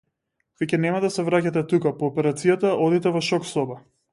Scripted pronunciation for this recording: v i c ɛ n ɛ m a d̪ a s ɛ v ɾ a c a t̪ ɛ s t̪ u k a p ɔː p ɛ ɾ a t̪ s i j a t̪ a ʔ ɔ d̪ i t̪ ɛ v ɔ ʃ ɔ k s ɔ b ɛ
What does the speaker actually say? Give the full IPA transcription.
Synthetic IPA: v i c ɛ n ɛ m a d̪ a s ɛ v ɾ a c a t̪ ɛ t̪ u k a p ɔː p ɛ ɾ a t̪ s i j a t̪ a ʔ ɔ d̪ i t̪ ɛ v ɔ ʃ ɔ k s ɔ b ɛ